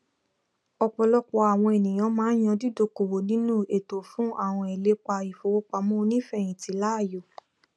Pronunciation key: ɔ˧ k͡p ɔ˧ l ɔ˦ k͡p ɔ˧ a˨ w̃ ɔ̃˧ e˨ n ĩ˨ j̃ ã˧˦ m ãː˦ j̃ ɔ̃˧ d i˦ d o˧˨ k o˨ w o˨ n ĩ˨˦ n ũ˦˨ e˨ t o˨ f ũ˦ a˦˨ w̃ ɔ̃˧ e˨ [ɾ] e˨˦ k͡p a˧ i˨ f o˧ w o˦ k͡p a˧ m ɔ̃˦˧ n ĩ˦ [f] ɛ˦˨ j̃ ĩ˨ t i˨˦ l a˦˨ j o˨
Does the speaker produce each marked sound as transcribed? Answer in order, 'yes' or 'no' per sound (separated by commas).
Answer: no, yes